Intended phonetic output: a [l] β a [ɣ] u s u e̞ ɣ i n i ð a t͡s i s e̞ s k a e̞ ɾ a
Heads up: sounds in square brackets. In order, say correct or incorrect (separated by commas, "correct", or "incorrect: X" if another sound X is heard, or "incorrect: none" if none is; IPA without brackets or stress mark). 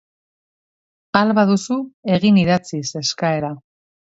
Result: correct, incorrect: ð